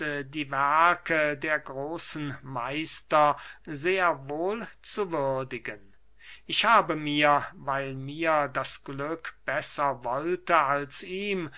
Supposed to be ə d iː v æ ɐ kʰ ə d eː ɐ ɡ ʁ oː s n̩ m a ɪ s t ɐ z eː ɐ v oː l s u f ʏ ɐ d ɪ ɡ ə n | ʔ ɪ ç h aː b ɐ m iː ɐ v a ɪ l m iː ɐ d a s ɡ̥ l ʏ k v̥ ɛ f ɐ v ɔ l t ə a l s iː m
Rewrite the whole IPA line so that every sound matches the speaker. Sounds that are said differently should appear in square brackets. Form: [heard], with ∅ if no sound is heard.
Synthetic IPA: ə d iː v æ ɐ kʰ ə d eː ɐ ɡ ʁ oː s n̩ m a ɪ s t ɐ z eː ɐ v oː l [t͡s] u [v] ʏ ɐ d ɪ ɡ ə n | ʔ ɪ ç h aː b [ə] m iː ɐ v a ɪ l m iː ɐ d a s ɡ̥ l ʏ k [b̥] ɛ [s] ɐ v ɔ l t ə a l s iː m